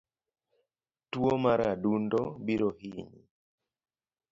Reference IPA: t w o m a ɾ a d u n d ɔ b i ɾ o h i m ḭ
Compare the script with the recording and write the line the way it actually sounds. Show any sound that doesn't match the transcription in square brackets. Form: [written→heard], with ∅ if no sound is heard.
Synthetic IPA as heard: t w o m a ɾ a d u n d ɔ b i ɾ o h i [m→ɲ] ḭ

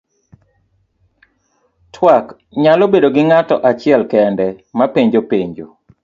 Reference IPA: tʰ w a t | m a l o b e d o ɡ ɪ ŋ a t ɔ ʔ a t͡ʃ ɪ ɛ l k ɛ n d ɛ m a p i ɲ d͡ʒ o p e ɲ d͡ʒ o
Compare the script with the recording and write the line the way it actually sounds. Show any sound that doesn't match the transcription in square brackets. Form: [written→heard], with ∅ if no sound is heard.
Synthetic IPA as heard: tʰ w a [t→k] | [m→ɲ] a l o b e d o ɡ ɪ ŋ a t ɔ ʔ a t͡ʃ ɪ ɛ l k ɛ n d ɛ m a p [i→e] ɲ d͡ʒ o p e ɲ d͡ʒ o

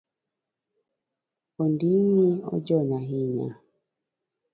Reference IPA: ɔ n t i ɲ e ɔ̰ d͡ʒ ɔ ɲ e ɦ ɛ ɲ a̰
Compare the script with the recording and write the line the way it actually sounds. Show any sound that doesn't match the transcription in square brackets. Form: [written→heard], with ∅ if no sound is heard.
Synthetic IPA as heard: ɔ n [t→d] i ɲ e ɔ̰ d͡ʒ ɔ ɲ [e→a] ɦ [ɛ→i] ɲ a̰

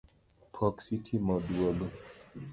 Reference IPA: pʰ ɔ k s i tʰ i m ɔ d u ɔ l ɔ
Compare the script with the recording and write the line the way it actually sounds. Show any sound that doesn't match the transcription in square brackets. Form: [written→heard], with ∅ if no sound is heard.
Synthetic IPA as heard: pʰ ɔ k s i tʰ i m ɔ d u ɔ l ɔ

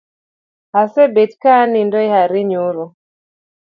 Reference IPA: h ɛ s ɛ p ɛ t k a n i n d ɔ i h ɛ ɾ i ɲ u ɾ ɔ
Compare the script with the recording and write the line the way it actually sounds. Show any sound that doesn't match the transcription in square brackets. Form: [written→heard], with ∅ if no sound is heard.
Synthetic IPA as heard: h [ɛ→a] s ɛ [p→b] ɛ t k a n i n d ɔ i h [ɛ→a] ɾ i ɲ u ɾ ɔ

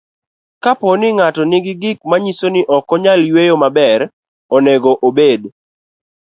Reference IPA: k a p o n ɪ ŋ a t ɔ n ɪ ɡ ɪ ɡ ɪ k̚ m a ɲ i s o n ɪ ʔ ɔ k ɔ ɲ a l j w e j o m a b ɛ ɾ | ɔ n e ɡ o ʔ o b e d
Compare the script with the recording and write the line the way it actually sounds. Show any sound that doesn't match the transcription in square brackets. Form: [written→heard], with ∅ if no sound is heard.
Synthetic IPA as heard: k a p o n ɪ ŋ a t ɔ n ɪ ɡ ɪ ɡ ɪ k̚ m a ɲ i s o n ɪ ʔ ɔ k ɔ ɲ a l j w e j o m a b ɛ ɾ | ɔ n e ɡ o ʔ o b e d

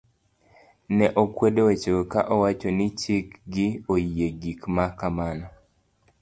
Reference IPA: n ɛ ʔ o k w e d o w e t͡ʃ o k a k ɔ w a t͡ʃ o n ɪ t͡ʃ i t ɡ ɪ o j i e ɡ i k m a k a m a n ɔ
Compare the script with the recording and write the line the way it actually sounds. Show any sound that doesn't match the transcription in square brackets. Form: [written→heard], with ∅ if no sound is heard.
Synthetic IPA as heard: n ɛ ʔ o k w e d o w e t͡ʃ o k a [k→ʔ] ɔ w a t͡ʃ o n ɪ t͡ʃ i [t→k] ɡ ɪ o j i e ɡ i k m a k a m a n ɔ

